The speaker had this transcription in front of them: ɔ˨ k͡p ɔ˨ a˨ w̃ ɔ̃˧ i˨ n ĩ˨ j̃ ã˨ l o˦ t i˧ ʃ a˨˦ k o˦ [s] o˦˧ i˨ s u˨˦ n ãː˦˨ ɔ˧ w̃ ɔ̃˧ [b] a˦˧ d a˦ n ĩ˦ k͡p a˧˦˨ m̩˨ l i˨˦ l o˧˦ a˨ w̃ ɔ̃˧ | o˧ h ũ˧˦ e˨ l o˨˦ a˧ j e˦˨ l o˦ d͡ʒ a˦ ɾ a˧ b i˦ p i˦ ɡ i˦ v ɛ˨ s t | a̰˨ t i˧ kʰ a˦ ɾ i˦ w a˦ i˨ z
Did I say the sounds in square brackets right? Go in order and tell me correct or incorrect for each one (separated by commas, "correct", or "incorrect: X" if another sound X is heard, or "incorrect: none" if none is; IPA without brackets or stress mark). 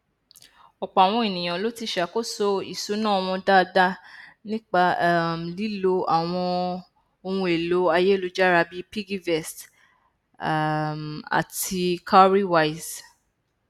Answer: correct, incorrect: d